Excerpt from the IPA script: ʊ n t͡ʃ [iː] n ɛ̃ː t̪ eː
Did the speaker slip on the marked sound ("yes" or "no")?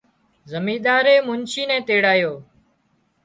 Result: no